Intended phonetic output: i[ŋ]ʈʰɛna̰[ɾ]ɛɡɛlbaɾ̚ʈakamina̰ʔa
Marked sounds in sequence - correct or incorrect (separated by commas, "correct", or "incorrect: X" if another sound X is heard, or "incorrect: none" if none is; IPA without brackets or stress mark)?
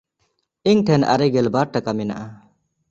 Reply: correct, correct